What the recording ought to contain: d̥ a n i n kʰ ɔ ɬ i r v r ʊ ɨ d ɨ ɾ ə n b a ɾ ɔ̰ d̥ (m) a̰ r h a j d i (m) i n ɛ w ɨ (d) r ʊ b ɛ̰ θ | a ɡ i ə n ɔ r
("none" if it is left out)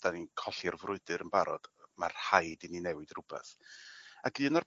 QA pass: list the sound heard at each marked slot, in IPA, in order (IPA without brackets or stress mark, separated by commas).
m, n, d